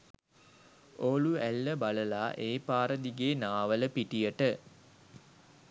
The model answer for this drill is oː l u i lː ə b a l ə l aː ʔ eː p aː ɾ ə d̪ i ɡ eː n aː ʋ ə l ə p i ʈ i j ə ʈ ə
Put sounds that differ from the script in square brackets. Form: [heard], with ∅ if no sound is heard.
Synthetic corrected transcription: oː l u [æ] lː ə b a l ə l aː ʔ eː p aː ɾ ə d̪ i ɡ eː n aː ʋ ə l ə p i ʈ i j ə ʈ ə